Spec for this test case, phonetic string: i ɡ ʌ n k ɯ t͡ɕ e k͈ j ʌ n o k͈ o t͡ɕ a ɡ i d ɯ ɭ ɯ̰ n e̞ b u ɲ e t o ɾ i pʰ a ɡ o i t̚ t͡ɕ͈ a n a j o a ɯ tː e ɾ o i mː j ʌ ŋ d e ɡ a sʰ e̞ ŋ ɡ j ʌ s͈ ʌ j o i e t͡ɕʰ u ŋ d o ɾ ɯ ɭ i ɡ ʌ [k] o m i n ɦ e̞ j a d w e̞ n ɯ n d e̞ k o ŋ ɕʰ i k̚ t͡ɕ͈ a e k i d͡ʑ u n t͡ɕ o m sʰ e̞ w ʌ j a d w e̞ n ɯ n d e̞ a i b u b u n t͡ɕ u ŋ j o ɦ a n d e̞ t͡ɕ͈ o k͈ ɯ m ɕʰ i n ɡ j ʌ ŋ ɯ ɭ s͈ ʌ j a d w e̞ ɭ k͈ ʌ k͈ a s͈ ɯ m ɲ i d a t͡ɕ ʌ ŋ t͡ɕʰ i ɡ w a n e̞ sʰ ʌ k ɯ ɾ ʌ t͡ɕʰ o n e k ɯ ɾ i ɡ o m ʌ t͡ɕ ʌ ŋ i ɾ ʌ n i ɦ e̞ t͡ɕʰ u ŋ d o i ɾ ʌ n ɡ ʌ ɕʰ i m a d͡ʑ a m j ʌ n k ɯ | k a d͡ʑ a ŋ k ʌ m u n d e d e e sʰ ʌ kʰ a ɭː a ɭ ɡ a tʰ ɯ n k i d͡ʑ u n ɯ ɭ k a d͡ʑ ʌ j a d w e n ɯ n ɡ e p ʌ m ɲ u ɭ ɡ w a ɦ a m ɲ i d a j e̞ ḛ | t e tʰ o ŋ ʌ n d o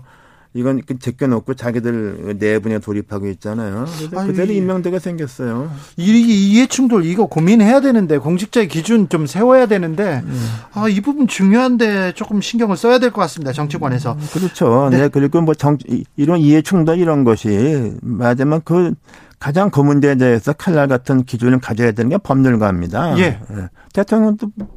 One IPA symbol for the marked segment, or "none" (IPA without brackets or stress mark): k